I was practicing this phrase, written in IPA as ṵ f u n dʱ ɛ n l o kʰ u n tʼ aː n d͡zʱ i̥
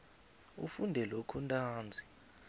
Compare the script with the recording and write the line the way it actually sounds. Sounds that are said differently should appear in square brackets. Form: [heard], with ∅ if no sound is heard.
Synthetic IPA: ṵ f u n dʱ ɛ [∅] l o kʰ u n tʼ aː n d͡zʱ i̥